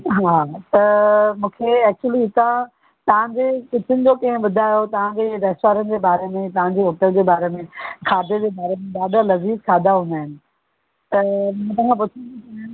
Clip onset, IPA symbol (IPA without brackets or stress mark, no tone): ɦ